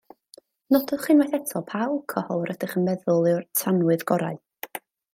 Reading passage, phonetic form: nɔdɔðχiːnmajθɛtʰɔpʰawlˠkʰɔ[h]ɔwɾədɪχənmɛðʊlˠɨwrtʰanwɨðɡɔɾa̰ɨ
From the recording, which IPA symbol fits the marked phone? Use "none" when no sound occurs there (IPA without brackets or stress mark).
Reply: h